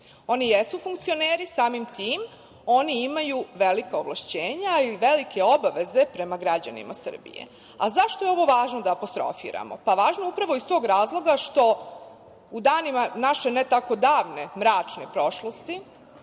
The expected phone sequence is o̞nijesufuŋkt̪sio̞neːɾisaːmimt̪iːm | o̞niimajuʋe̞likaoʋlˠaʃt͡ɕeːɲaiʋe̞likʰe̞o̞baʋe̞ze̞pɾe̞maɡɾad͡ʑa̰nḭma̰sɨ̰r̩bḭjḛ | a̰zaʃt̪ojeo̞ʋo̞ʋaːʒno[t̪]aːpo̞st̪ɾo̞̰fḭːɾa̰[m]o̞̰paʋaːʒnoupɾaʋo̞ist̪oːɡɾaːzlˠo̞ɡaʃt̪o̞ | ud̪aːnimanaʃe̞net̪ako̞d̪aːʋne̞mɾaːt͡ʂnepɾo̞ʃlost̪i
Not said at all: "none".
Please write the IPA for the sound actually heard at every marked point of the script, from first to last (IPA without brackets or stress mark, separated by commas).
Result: d̪, m